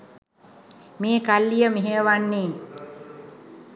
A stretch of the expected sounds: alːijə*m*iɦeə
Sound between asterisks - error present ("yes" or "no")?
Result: no